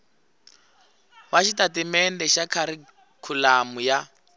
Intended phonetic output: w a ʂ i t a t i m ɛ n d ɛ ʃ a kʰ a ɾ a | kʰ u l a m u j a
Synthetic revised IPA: w a ʃ i t a t i m ɛ n d ɛ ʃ a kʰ a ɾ i | kʰ u l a m u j a

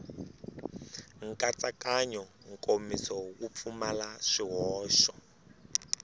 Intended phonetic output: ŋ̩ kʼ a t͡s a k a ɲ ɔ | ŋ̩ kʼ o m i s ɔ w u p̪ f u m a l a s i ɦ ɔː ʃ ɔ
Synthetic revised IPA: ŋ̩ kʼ a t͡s a k a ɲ ɔ | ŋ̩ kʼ o m i s ɔ w u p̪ f u m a l a ʂ i ɦ ɔː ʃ ɔ

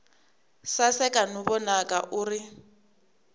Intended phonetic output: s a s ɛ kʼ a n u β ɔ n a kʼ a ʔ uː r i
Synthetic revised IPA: s a s ɛ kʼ a n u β ɔ n a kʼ a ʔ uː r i

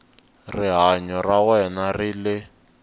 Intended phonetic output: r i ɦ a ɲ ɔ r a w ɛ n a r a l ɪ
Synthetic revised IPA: r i ɦ a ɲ ɔ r a w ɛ n a r i l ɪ

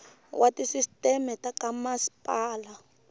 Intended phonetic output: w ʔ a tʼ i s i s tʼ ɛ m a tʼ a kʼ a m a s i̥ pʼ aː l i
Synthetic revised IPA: w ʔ a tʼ i s i s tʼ ɛ m ɛ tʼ a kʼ a m a s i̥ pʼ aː l a

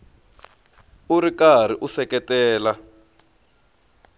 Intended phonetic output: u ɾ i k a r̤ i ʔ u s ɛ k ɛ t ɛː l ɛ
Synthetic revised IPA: u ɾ i k a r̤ i ʔ u s ɛ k ɛ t ɛː l a

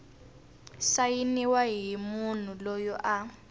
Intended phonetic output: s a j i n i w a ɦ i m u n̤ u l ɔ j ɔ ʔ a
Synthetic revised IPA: s a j i n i w a ɦ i m u n̤ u l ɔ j ɔ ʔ a

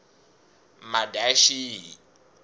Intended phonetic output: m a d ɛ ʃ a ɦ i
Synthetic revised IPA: m a d a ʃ i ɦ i

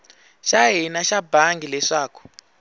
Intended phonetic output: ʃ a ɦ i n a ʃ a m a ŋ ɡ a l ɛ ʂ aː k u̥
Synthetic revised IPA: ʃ a ɦ i n a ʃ a b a ŋ ɡ i l ɛ ʂ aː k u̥

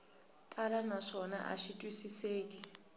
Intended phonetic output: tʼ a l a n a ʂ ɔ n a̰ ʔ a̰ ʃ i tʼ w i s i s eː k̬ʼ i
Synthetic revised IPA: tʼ a l a n a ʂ ɔ n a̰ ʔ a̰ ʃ i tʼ w i s i s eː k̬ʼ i

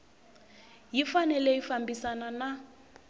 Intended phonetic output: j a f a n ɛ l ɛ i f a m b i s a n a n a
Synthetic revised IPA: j i f a n ɛ l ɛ i f a m b i s a n a n a

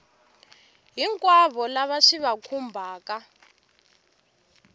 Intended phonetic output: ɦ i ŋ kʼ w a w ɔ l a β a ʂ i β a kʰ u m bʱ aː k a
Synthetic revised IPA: ɦ i ŋ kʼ w a β ɔ l a β a ʂ i β a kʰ u m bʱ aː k a

